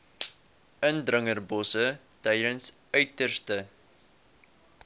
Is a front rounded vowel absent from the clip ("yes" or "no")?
no